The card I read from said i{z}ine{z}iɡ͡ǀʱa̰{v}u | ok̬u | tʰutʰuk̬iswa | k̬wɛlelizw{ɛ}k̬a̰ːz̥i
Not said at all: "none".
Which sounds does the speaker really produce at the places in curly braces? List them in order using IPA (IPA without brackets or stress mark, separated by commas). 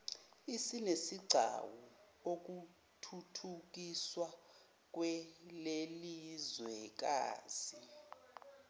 s, s, w, ɛ